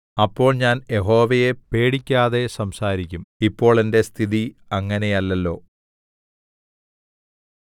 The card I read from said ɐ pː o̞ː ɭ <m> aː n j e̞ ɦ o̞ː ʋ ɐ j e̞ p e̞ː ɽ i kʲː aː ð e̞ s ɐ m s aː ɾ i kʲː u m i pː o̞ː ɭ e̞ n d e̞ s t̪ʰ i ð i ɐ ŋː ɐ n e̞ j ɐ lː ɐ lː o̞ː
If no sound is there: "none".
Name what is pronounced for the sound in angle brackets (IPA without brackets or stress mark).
ɲ